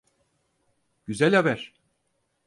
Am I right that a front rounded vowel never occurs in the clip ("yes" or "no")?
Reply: no